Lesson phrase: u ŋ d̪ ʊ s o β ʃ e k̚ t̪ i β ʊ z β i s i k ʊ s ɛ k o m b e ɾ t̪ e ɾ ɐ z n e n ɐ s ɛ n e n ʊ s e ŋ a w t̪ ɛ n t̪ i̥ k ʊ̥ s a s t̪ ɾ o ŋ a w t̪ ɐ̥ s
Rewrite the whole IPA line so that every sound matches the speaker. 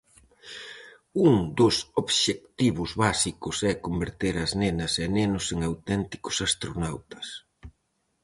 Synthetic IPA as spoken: u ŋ d̪ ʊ s o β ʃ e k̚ t̪ i β ʊ z β a s i k ʊ s ɛ k o m b e ɾ t̪ e ɾ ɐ z n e n ɐ s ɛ n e n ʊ s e ŋ a w t̪ ɛ n t̪ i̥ k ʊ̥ s a s t̪ ɾ o n a w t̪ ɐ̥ s

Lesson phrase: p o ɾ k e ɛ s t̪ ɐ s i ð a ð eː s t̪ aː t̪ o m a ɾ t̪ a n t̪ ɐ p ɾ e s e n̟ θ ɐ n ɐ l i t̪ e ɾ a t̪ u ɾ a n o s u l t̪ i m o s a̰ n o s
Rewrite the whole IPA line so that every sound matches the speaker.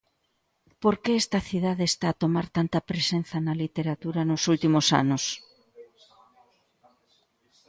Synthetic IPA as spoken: p o ɾ k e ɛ s t̪ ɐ θ i ð a ð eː s t̪ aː t̪ o m a ɾ t̪ a n t̪ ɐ p ɾ e s e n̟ θ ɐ n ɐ l i t̪ e ɾ a t̪ u ɾ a n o s u l t̪ i m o s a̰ n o s

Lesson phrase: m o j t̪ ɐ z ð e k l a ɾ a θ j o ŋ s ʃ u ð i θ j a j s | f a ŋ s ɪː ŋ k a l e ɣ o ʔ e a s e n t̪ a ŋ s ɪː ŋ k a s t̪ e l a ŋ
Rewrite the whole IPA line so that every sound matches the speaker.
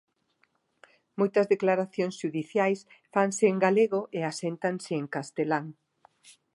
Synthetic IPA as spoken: m o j t̪ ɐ z ð e k l a ɾ a θ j o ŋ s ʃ u ð i θ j a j s | f a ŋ s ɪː ŋ ɡ a l e ɣ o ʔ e a s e n t̪ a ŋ s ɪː ŋ k a s t̪ e l a ŋ

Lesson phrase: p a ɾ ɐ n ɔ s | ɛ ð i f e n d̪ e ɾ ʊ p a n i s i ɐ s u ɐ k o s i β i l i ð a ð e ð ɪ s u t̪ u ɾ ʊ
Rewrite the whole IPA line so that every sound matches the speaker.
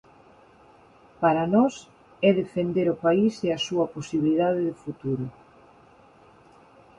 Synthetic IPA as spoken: p a ɾ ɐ n ɔ s | ɛ ð e f e n d̪ e ɾ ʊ p a i s e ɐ s u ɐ p o s i β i l i ð a ð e ð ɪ f u t̪ u ɾ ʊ

